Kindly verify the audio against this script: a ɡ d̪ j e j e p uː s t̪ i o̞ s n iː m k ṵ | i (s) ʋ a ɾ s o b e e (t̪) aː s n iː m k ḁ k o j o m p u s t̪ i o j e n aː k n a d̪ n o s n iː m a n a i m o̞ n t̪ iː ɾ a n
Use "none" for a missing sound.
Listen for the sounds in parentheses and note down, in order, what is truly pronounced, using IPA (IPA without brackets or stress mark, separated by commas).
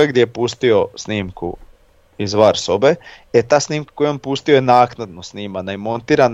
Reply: z, t̪